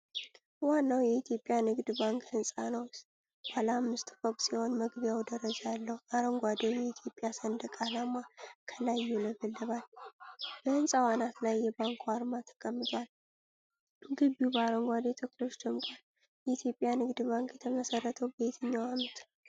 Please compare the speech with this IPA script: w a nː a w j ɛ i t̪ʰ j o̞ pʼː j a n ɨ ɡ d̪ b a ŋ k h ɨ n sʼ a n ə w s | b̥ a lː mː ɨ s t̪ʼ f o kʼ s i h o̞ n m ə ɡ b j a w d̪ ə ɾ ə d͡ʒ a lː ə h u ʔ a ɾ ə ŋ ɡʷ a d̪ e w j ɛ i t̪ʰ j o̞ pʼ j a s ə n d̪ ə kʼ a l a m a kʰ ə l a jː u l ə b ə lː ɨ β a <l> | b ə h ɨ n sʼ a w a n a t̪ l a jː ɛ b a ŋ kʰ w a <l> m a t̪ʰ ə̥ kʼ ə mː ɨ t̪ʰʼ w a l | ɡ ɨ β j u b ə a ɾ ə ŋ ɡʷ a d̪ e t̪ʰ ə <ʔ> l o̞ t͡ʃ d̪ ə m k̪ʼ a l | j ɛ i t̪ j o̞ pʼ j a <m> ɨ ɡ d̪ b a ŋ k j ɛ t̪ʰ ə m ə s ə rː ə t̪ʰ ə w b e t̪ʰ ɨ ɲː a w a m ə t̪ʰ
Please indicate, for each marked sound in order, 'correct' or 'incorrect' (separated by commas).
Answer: correct, incorrect, incorrect, incorrect